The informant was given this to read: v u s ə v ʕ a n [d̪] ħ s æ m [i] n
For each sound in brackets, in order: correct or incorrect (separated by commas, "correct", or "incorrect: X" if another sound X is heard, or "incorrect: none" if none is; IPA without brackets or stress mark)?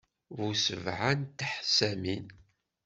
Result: incorrect: t̪, correct